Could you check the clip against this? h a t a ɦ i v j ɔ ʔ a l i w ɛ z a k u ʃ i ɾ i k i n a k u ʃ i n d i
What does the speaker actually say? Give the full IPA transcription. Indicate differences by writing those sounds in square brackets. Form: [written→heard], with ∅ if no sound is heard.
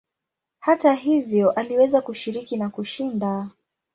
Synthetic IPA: h a t a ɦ i v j ɔ ʔ a l i w ɛ z a k u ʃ i ɾ i k i n a k u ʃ i n d [i→a]